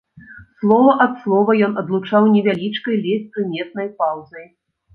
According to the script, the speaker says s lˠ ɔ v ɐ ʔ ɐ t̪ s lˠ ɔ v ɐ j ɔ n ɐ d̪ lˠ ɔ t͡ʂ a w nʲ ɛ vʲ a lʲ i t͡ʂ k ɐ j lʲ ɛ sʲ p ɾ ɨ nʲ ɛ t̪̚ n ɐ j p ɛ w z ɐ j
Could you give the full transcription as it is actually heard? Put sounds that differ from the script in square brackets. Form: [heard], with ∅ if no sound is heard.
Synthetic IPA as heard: s lˠ ɔ v ɐ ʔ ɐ t̪ s lˠ ɔ v ɐ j ɔ n ɐ d̪ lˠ [u] t͡ʂ a w nʲ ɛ vʲ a lʲ i t͡ʂ k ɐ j lʲ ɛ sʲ p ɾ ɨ [mʲ] ɛ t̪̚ n ɐ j p [a] w z ɐ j